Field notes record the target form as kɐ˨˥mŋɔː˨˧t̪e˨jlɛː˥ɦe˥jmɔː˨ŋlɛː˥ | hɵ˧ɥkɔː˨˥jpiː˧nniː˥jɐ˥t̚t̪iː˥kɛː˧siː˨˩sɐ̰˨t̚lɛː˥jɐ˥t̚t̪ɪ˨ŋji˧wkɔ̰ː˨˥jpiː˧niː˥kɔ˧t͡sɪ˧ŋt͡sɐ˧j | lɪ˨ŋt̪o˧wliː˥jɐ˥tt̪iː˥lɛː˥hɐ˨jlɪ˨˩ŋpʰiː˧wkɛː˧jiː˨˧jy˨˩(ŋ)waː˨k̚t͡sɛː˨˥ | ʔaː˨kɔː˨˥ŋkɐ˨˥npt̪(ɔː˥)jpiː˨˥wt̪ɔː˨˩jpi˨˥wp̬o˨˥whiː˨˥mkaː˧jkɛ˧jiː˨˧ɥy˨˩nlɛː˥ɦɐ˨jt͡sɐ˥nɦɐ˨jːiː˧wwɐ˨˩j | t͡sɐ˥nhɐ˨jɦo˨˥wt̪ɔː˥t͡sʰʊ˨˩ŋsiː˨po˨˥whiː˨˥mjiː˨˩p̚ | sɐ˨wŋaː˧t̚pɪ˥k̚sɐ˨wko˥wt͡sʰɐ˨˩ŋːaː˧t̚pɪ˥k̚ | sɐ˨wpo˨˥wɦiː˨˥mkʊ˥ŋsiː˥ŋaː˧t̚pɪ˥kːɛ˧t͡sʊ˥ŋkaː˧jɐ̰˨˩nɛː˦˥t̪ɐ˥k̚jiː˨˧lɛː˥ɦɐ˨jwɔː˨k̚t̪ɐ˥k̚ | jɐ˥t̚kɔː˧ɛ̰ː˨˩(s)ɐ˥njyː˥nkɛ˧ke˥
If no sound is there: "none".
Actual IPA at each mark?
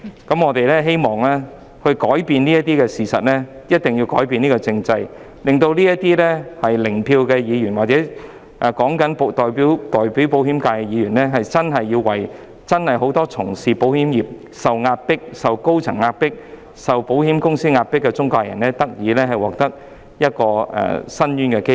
n, ɔː˨, s

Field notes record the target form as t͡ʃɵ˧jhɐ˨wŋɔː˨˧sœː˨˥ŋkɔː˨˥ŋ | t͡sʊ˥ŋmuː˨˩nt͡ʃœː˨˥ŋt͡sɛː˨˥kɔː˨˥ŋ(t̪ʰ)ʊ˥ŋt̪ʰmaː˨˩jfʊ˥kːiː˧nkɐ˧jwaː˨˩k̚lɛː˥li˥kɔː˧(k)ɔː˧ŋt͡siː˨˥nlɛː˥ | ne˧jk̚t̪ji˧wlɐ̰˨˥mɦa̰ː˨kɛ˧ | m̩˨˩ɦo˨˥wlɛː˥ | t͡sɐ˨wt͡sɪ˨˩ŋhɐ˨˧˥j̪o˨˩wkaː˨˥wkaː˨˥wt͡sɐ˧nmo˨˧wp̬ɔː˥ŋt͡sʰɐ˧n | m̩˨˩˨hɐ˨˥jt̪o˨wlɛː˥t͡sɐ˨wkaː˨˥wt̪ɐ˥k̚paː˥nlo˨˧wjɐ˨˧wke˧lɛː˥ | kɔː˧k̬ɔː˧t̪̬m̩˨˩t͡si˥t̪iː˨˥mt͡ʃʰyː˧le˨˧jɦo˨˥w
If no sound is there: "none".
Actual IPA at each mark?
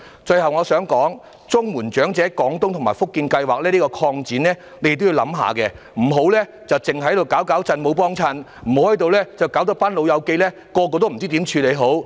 t̪, kʰ

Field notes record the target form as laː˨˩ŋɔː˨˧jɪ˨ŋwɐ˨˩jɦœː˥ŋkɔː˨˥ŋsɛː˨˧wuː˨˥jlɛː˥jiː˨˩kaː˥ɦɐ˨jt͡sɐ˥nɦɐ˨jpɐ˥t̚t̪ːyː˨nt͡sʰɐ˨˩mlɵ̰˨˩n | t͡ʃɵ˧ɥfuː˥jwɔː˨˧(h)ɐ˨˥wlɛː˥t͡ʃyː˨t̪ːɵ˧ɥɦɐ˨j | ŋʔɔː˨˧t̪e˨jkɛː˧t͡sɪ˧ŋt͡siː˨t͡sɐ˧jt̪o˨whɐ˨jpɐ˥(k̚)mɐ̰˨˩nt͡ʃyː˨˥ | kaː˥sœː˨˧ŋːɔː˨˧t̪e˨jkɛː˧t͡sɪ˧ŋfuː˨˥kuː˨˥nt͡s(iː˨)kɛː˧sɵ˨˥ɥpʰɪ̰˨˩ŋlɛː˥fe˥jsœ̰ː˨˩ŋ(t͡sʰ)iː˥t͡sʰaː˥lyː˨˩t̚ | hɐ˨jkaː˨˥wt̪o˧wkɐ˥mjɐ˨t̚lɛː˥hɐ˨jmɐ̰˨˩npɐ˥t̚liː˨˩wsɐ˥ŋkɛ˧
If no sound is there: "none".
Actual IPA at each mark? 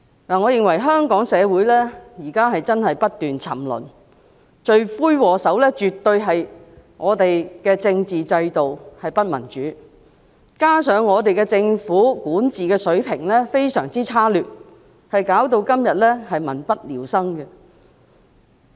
s, t̚, iː˨, t͡s

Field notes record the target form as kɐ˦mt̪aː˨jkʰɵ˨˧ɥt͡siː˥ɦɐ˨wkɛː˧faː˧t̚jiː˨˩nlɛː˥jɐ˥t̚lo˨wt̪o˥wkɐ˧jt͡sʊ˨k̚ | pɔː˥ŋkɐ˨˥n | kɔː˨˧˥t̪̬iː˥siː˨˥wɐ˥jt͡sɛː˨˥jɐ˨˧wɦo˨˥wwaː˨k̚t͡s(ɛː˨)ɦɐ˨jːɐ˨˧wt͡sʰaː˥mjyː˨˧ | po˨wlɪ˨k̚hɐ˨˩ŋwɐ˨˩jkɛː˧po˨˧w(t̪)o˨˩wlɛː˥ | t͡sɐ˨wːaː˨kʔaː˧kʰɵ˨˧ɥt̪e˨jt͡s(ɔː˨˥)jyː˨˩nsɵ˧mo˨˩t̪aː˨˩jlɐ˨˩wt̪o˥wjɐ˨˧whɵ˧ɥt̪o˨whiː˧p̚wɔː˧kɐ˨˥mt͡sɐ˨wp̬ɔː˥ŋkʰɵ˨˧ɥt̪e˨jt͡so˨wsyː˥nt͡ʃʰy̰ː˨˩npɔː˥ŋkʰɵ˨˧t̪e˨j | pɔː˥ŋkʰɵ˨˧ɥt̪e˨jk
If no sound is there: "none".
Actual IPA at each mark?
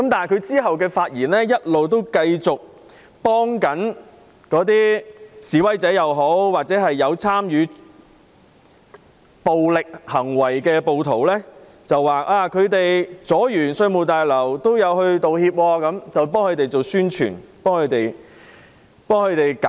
ɛː˨˥, t̪ʰ, ɔː˨˥

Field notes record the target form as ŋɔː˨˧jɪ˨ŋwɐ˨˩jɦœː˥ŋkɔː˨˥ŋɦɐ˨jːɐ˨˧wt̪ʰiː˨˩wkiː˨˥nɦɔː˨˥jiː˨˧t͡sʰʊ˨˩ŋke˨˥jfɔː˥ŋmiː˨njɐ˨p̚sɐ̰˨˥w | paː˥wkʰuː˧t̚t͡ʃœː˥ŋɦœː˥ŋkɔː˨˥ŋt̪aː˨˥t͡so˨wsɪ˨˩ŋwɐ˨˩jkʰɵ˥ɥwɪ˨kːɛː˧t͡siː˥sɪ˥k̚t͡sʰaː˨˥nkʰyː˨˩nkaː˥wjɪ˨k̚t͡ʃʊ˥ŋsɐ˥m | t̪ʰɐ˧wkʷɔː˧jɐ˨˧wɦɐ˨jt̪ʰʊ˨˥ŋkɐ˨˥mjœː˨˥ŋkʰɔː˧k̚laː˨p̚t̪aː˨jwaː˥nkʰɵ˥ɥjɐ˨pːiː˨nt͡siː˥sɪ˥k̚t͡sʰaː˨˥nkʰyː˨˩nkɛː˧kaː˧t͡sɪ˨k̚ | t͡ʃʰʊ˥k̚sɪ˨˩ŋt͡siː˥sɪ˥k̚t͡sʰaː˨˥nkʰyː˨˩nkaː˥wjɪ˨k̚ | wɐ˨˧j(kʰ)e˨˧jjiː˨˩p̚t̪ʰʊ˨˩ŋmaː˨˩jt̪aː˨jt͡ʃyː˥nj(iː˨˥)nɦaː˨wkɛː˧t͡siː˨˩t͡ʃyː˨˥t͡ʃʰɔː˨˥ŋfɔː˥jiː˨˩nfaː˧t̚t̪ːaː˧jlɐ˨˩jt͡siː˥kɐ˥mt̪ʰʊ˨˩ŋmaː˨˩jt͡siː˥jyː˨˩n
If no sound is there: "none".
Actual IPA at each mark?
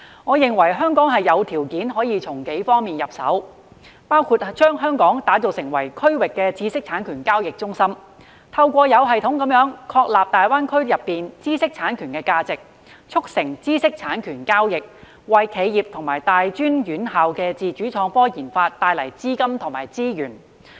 kʰ, yː˨˥

